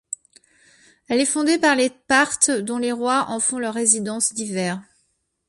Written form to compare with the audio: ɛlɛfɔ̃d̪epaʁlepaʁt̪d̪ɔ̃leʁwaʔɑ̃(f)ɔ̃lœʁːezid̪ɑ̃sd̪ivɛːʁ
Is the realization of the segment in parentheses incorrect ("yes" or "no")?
no